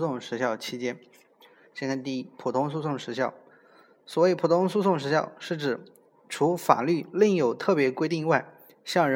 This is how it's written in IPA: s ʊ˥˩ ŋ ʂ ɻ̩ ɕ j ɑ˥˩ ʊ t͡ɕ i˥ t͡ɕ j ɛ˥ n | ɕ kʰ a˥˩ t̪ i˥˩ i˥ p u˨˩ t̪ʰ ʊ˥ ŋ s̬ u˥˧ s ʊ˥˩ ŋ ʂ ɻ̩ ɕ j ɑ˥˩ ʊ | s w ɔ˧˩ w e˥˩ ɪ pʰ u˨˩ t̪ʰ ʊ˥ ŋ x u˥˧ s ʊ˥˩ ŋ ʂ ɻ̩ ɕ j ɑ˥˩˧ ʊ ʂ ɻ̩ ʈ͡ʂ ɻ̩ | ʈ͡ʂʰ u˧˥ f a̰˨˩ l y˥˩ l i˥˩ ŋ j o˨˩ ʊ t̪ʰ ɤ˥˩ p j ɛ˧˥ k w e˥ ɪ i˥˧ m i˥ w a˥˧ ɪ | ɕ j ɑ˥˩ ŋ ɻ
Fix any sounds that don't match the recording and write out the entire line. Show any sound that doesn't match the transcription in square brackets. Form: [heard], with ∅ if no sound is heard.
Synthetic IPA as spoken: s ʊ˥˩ ŋ ʂ ɻ̩ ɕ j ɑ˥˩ ʊ [t͡ɕʰ] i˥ t͡ɕ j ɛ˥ n | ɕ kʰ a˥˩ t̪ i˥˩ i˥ [pʰ] u˨˩ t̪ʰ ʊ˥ ŋ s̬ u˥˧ s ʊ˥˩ ŋ ʂ ɻ̩ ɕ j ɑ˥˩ ʊ | s w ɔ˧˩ w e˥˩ ɪ pʰ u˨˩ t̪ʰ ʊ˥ ŋ [s] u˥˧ s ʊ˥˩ ŋ ʂ ɻ̩ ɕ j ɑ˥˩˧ ʊ ʂ ɻ̩ ʈ͡ʂ ɻ̩ | ʈ͡ʂʰ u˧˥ f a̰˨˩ l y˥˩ l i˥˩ ŋ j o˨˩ ʊ t̪ʰ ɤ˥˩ p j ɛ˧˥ k w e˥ ɪ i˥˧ [ŋ] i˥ w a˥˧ ɪ | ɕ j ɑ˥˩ ŋ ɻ